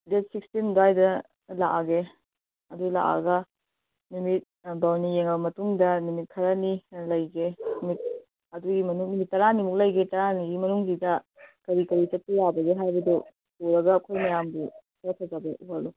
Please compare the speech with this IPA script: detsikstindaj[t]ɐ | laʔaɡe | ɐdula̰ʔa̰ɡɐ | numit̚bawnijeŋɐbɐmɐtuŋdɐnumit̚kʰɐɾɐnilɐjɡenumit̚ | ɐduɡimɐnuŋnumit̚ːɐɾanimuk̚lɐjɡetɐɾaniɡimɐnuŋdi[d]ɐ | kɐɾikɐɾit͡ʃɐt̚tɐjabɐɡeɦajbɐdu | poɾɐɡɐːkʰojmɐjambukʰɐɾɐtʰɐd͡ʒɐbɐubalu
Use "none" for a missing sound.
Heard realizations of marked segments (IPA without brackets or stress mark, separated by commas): d, d